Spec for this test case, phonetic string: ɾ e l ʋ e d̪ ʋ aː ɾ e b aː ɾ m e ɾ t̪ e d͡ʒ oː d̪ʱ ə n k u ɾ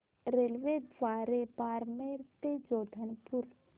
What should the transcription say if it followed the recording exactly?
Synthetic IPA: ɾ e l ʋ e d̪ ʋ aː ɾ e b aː ɾ m e ɾ t̪ e d͡ʒ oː d̪ʱ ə n p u ɾ